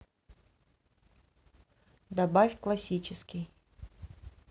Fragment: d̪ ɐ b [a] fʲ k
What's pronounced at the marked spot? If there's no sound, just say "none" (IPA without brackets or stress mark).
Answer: a